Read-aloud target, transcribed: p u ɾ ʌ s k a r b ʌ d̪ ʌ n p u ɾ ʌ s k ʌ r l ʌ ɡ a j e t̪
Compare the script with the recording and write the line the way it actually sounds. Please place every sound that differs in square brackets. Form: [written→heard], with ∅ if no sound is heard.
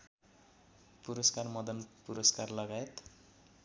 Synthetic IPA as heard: p u ɾ ʌ s k a r [b→m] ʌ d̪ ʌ n p u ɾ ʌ s k [ʌ→a] r l ʌ ɡ a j e t̪